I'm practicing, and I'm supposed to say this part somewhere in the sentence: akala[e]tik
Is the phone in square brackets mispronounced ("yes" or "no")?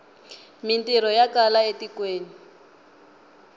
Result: no